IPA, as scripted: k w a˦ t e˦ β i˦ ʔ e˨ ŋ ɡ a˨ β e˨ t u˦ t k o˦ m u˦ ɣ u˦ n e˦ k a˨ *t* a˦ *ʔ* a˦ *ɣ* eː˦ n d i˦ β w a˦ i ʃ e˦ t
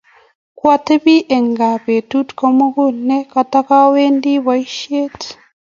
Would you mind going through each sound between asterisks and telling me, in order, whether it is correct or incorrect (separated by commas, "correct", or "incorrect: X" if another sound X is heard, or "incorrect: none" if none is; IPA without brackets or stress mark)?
correct, incorrect: k, incorrect: w